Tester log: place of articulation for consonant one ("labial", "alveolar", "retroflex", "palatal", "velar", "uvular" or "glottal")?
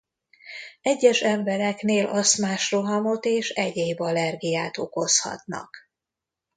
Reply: palatal